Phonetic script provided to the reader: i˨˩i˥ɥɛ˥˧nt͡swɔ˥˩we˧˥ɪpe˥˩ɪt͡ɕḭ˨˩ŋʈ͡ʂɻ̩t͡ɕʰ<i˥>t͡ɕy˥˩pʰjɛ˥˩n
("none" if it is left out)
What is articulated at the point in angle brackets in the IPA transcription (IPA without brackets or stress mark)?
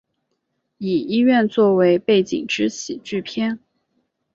i˨˩